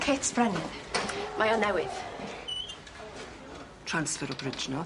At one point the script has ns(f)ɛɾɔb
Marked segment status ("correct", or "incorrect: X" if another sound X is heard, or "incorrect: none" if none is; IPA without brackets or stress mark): correct